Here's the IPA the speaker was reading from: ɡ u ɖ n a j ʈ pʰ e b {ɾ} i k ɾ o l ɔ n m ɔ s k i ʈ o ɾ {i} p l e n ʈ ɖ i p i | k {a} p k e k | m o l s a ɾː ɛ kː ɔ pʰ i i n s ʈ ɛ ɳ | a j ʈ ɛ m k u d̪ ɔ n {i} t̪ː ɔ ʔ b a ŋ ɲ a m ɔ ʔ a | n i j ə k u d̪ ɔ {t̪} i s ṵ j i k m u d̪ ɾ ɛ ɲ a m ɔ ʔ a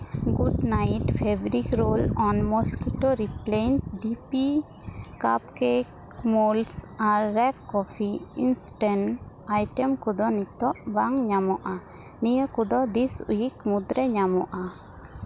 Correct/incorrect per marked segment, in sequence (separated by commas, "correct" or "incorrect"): correct, correct, correct, correct, incorrect